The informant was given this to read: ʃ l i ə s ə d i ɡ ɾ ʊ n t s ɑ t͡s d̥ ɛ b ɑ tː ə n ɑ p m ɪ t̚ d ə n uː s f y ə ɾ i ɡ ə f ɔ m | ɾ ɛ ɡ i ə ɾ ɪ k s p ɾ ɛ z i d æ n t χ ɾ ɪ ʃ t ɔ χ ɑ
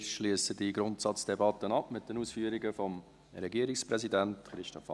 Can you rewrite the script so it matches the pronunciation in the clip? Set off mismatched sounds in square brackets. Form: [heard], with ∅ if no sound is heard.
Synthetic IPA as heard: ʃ l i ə s ə d i ɡ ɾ ʊ n t s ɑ t͡s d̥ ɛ b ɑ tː ə n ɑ p m ɪ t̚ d ə n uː s f y ə ɾ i ɡ ə f ɔ m | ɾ ɛ ɡ i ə ɾ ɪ k s p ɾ ɛ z i d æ n t χ ɾ ɪ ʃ t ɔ [f] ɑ